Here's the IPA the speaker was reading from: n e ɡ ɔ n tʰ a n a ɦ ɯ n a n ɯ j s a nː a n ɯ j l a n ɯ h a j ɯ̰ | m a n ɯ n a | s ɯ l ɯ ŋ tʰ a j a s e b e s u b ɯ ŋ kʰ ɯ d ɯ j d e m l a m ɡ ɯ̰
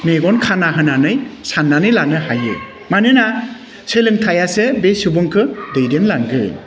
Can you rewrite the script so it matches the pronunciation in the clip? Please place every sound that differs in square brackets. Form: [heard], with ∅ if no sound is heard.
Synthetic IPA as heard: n e ɡ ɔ n [kʰ] a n a ɦ ɯ n a n ɯ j s a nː a n ɯ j l a n ɯ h a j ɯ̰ | m a n ɯ n a | s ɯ l ɯ ŋ tʰ a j a s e b e s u b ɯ ŋ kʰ ɯ d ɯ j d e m l a [ŋ] ɡ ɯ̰